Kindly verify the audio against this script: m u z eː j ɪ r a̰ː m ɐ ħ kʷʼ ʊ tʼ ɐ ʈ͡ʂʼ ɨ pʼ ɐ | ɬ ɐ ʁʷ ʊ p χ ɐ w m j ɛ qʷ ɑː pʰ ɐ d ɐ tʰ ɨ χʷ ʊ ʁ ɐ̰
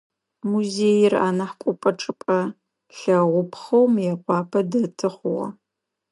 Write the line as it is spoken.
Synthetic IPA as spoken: m u z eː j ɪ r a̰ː n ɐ ħ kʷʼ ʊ pʼ ɐ ʈ͡ʂʼ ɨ pʼ ɐ | ɬ ɐ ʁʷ ʊ p χ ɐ w m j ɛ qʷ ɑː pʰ ɐ d ɐ tʰ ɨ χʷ ʊ ʁ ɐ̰